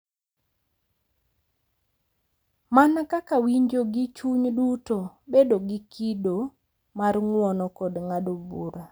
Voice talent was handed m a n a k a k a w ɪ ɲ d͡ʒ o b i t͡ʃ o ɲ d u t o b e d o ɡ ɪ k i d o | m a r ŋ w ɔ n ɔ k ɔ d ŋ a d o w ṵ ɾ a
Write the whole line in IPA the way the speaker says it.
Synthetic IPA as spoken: m a n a k a k a w i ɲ d͡ʒ o ɡ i t͡ʃ u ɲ d u t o b e d o ɡ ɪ k i d o | m a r ŋ w ɔ n ɔ k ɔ d ŋ a d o b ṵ ɾ a